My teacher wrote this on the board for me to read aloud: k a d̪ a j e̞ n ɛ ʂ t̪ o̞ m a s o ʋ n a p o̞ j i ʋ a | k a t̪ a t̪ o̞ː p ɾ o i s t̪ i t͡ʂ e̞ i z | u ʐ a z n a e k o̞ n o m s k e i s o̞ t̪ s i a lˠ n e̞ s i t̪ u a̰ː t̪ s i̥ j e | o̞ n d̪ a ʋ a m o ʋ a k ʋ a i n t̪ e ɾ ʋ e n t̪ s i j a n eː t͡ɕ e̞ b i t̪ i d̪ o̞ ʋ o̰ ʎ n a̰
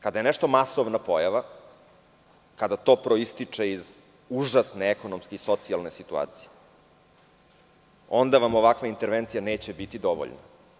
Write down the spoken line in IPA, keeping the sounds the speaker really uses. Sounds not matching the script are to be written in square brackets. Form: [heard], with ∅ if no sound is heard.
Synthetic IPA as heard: k a d̪ a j e̞ n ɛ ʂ t̪ o̞ m a s o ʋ n a p o̞ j [a] ʋ a | k a [d̪] a t̪ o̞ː p ɾ o i s t̪ i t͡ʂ e̞ i z | u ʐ a [s] n [e] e k o̞ n o m s k e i s o̞ t̪ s i a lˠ n e̞ s i t̪ u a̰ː t̪ s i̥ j e | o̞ n d̪ a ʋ a m o ʋ a k ʋ a i n t̪ e ɾ ʋ e n t̪ s i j a n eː t͡ɕ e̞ b i t̪ i d̪ o̞ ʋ o̰ ʎ n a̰